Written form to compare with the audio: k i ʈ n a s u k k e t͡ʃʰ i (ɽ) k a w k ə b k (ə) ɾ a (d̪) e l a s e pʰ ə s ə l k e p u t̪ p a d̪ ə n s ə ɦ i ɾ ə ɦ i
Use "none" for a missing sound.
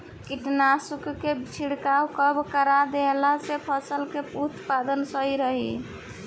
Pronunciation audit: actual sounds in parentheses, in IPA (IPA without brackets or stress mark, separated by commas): ɽ, ə, d̪